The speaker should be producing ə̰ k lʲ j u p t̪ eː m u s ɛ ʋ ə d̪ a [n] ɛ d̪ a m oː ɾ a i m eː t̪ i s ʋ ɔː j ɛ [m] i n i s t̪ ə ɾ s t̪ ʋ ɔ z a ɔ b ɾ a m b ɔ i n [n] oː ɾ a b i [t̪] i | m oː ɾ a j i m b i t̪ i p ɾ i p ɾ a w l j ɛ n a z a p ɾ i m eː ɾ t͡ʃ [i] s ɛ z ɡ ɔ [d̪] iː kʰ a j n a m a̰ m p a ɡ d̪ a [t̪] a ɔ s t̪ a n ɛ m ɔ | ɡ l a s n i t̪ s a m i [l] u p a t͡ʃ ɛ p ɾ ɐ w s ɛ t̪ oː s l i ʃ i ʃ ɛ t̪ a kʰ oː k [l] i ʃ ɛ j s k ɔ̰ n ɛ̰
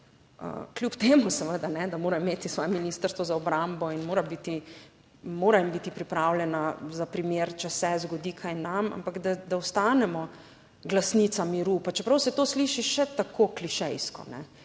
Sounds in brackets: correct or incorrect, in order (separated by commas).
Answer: correct, correct, incorrect, correct, incorrect, correct, incorrect, incorrect, correct